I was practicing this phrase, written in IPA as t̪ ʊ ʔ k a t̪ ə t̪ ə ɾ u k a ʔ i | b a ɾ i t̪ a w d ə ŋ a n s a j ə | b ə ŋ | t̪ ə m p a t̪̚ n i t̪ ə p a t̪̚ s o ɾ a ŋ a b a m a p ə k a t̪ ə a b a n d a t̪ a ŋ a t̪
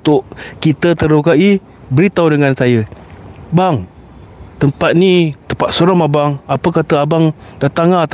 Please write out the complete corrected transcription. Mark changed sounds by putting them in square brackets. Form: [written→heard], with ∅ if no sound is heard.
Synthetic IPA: t̪ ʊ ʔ k [a→i] t̪ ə t̪ ə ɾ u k a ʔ i | b [a→ə] ɾ i t̪ a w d ə ŋ a n s a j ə | b [ə→a] ŋ | t̪ ə m p a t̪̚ n i t̪ ə p a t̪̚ s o ɾ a [ŋ→m] a b a [m→ŋ] a p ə k a t̪ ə a b a [n→ŋ] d a t̪ a ŋ a t̪